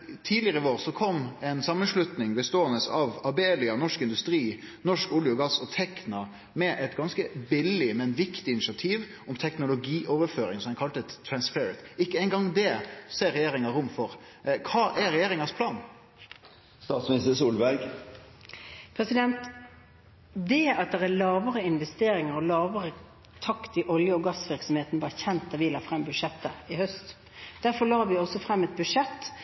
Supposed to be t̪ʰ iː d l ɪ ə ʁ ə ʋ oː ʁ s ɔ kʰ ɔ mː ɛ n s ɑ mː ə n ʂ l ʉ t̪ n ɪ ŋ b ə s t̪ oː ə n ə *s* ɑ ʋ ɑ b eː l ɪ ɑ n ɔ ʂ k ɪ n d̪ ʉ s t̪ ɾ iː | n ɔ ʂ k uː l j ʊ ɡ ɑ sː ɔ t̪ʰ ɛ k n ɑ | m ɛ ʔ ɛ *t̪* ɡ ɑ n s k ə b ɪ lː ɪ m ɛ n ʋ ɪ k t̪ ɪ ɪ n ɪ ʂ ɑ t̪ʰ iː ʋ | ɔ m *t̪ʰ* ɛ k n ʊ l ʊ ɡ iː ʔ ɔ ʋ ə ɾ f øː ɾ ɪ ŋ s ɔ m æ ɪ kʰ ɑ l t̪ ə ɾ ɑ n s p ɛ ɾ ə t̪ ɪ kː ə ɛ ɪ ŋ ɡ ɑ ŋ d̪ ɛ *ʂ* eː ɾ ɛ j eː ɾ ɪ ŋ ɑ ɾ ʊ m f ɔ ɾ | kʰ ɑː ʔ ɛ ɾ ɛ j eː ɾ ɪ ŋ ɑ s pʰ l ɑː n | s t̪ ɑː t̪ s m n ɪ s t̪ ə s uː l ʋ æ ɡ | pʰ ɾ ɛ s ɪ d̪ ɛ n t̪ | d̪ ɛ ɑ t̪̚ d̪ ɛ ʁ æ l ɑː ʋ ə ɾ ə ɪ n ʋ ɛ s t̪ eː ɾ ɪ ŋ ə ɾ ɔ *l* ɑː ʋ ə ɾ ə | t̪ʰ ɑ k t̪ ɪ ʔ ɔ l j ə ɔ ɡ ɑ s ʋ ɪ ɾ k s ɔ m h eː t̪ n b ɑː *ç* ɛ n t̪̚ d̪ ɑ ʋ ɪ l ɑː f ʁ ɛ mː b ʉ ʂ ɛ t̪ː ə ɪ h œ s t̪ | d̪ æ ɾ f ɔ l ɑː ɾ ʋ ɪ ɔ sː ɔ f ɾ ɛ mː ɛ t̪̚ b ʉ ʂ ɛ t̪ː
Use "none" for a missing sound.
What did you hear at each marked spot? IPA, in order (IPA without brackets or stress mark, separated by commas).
s, t̪, t̪ʰ, s, l, ç